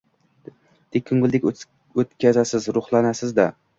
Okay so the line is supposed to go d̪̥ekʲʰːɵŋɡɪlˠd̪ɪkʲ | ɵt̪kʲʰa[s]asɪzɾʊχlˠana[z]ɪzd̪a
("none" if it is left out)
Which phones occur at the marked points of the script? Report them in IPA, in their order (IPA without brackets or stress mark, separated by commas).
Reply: z, s